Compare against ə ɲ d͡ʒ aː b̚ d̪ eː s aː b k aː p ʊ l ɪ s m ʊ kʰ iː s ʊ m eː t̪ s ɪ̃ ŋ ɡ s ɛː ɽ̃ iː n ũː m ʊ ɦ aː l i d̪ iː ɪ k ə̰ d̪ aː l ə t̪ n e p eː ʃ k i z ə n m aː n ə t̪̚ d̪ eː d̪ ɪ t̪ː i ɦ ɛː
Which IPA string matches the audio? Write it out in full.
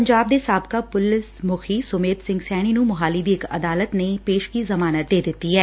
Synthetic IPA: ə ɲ d͡ʒ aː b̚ d̪ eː s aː b k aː p ʊ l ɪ s m ʊ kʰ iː s ʊ m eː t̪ s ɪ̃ ŋ ɡ s ɛː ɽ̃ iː n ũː m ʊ ɦ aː l i d̪ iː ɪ k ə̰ d̪ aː l ə t̪ n e p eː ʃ k i z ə m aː n ə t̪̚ d̪ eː d̪ ɪ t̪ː i ɦ ɛː